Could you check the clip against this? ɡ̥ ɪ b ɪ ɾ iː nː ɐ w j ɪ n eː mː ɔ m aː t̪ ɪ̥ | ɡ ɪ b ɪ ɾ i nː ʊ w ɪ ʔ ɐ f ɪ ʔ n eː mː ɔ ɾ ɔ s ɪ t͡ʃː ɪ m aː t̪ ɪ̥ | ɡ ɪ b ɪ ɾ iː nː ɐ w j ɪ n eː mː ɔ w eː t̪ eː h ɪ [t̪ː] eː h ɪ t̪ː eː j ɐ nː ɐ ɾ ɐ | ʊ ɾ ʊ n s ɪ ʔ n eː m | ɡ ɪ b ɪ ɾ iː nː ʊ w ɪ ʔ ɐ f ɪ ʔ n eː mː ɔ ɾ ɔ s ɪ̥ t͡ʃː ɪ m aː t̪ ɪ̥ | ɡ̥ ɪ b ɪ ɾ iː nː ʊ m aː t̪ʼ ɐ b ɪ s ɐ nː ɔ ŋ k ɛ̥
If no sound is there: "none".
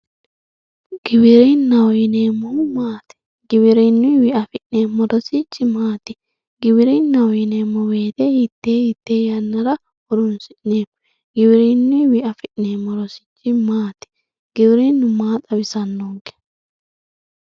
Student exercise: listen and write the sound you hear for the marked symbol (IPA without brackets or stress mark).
t̪ː